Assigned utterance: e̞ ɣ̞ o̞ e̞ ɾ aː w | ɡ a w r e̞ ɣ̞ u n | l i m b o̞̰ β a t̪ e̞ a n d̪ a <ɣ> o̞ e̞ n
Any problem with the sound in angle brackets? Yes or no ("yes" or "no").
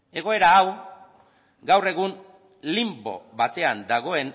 no